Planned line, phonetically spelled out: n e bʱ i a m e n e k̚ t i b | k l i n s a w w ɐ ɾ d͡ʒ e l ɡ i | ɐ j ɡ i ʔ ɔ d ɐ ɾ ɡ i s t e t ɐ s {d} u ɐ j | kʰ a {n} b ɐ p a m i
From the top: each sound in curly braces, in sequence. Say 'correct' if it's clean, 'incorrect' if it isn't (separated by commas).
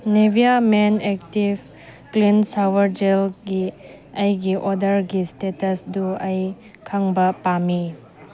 correct, incorrect